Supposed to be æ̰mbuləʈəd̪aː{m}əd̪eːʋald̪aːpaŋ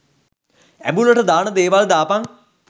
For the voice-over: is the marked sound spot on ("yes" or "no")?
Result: no